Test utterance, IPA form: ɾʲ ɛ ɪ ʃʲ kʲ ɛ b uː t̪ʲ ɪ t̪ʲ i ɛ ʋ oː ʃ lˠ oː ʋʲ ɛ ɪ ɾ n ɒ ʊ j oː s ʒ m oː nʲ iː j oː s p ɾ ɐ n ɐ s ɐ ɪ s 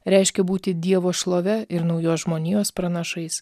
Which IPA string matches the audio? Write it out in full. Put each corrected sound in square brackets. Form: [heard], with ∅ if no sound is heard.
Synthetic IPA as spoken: ɾʲ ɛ ɪ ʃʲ kʲ ɛ b uː t̪ʲ ɪ [d̪ʲ] i ɛ ʋ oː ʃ lˠ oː ʋʲ ɛ ɪ ɾ n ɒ ʊ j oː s ʒ m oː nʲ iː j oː s p ɾ ɐ n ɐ [ʃ] ɐ ɪ s